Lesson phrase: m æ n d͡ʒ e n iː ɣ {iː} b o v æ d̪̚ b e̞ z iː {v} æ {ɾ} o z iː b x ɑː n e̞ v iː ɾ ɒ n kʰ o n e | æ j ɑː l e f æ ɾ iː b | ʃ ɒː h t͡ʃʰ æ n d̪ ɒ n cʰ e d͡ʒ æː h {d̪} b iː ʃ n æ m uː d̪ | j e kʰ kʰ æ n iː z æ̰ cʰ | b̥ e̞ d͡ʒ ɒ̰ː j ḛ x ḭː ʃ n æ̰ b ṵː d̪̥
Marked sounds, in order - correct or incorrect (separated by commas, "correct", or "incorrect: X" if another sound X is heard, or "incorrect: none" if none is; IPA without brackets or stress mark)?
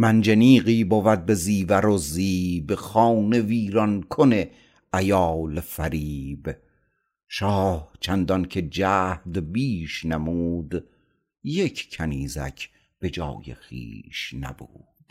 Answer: correct, correct, correct, correct